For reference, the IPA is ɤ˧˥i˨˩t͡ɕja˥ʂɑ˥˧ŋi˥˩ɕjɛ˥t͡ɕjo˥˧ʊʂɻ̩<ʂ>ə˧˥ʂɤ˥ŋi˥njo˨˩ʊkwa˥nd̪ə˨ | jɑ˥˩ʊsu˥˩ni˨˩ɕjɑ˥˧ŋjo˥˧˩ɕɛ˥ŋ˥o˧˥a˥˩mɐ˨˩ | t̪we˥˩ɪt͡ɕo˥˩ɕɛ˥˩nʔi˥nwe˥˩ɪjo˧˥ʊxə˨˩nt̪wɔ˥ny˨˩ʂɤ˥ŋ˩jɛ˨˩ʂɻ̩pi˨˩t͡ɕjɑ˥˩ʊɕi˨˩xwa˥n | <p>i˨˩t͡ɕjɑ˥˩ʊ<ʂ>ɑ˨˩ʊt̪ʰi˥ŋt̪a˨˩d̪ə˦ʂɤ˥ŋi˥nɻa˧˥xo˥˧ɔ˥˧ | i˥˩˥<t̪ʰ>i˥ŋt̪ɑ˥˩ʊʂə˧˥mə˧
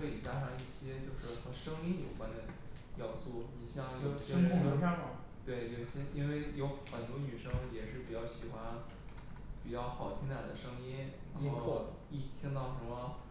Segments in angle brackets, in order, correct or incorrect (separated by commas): incorrect, correct, incorrect, correct